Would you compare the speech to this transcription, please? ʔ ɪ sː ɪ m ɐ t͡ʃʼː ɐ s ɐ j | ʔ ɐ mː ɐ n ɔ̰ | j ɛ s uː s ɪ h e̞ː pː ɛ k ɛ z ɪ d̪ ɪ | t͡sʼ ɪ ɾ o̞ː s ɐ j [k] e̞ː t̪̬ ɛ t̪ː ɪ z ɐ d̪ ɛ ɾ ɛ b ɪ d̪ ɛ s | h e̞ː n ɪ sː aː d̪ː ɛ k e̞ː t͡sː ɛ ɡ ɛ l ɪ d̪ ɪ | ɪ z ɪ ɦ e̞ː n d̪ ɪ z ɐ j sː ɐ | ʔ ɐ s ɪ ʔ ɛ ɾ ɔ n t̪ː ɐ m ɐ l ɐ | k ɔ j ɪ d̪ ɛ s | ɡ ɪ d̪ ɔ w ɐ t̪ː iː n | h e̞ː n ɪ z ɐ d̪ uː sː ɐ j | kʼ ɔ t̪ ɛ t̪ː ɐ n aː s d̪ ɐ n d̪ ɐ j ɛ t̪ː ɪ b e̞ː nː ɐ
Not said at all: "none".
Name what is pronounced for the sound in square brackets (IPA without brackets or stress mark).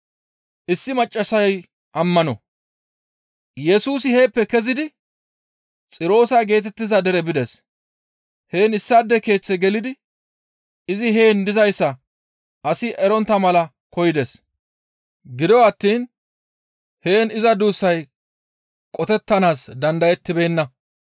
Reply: ɡ